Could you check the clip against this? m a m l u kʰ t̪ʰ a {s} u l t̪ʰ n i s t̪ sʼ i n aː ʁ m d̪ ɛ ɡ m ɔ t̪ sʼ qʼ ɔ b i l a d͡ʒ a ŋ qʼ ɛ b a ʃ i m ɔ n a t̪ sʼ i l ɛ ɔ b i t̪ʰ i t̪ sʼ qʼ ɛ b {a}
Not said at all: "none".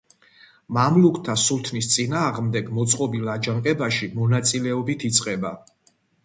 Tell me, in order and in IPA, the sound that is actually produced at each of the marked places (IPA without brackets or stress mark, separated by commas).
s, a